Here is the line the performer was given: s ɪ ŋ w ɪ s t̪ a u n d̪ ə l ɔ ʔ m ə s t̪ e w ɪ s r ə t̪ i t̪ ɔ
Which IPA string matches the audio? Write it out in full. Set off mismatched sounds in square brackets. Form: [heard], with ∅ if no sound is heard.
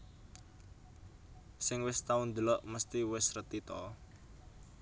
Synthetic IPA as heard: s ɪ ŋ w ɪ s t̪ a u n d̪ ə l ɔ ʔ m ə s t̪ [i] w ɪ s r ə t̪ i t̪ ɔ